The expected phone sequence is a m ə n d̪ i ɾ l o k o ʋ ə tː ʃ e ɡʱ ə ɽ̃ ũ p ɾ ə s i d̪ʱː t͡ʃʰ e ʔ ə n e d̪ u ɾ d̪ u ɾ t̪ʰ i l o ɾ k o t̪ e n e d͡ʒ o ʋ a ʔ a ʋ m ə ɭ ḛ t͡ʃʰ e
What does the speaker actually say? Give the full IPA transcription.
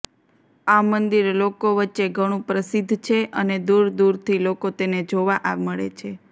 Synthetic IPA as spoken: a m ə n d̪ i ɾ l o k o ʋ ə tː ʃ e ɡʱ ə ɽ̃ ũ p ɾ ə s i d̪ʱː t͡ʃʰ e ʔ ə n e d̪ u ɾ d̪ u ɾ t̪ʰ i l o k o t̪ e n e d͡ʒ o ʋ a ʔ a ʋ m ə ɭ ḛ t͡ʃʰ e